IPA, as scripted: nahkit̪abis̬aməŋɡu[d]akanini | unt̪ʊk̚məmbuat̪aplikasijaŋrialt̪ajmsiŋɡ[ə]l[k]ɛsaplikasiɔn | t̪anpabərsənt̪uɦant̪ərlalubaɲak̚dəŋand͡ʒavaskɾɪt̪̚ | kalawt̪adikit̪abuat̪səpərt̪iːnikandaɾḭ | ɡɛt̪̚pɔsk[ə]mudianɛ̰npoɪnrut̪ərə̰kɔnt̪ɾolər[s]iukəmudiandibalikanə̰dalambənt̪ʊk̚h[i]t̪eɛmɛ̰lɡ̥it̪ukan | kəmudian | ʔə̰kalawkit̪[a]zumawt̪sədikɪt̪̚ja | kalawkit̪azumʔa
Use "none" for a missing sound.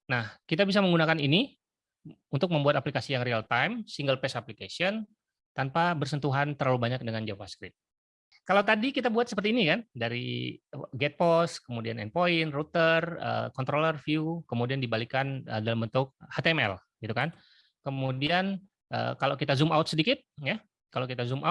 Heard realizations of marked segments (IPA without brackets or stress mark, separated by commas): n, ə, p, ə, f, a, a